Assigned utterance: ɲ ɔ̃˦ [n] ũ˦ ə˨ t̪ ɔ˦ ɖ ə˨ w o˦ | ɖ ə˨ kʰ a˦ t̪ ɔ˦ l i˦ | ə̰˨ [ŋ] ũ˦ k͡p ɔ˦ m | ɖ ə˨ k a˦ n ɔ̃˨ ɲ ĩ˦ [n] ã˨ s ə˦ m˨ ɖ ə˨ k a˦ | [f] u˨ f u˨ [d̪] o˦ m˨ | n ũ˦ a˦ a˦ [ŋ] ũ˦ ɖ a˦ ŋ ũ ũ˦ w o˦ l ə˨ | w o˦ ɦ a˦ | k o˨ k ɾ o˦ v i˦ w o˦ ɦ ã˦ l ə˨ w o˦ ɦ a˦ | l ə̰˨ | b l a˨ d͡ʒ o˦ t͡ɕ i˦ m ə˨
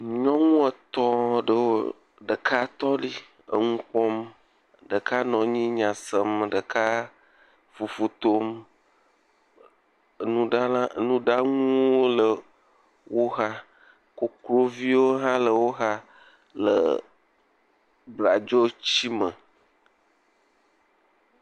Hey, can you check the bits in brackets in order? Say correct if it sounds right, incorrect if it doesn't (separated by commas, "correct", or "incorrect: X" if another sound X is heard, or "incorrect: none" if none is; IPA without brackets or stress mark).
incorrect: ŋ, correct, incorrect: ɲ, correct, incorrect: t̪, incorrect: n